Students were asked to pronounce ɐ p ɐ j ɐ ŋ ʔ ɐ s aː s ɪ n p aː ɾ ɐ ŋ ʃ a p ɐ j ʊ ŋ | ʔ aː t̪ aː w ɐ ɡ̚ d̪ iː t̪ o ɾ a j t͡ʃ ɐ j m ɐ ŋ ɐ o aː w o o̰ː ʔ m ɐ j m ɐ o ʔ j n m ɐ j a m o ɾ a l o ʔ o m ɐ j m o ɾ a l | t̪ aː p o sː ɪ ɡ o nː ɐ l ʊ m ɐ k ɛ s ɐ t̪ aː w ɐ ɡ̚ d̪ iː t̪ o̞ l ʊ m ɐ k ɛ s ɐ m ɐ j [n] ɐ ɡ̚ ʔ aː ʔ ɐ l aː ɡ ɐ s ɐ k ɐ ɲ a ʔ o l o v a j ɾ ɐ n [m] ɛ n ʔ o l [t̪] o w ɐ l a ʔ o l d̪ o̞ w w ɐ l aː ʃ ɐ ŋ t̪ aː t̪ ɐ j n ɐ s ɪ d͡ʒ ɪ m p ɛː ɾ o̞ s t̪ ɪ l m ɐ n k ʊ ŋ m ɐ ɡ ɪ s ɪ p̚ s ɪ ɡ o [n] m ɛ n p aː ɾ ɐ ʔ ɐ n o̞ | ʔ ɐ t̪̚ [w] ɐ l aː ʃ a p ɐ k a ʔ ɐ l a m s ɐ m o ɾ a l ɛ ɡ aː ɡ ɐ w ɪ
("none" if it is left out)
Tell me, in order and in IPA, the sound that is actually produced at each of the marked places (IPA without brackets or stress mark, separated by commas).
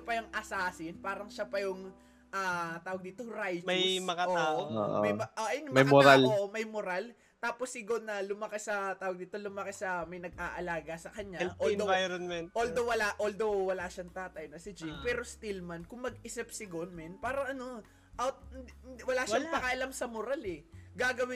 n, m, d̪, n, w